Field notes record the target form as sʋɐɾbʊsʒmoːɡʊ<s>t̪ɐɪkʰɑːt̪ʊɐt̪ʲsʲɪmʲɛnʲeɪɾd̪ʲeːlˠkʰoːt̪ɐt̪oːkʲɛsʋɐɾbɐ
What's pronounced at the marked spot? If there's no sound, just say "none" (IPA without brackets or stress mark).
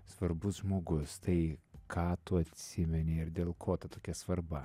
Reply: s